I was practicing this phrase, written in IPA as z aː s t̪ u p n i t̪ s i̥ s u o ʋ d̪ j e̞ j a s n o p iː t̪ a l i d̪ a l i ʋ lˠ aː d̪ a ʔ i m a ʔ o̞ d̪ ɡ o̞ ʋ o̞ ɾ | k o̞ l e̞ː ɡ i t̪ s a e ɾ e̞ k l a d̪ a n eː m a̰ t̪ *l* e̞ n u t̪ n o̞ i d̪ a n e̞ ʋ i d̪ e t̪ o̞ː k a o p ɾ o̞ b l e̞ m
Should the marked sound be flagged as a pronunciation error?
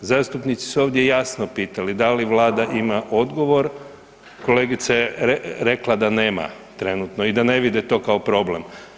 yes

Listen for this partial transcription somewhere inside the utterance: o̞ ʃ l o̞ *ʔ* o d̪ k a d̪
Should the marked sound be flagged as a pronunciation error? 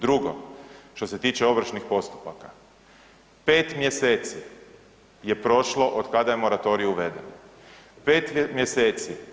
no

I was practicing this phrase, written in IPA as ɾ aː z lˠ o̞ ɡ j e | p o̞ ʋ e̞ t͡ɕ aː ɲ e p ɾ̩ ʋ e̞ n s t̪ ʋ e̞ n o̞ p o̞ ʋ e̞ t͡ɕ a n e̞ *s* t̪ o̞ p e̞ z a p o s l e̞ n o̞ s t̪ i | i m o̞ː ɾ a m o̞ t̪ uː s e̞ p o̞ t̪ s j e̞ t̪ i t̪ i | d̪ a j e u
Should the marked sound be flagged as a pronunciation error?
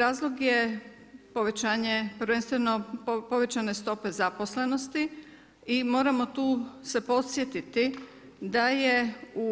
no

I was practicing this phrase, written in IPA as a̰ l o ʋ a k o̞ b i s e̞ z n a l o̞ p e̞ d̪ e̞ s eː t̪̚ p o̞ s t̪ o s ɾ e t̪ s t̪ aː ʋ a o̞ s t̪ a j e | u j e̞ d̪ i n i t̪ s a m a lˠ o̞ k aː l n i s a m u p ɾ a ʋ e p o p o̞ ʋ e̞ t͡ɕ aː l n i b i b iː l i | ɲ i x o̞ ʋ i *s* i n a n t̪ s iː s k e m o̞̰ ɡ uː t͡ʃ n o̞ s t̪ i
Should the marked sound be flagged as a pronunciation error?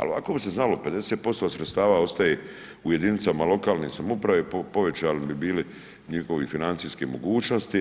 yes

